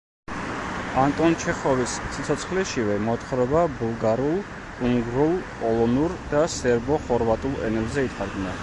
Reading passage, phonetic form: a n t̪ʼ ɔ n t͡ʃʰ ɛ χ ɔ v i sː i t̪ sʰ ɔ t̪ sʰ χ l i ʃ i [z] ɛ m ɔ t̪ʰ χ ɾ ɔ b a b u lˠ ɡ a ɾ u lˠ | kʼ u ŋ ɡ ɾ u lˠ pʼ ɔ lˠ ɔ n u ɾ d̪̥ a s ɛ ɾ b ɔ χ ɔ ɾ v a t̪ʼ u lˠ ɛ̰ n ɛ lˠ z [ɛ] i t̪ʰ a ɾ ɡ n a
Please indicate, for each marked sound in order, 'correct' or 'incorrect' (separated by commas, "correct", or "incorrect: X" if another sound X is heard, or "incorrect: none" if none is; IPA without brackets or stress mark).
incorrect: v, correct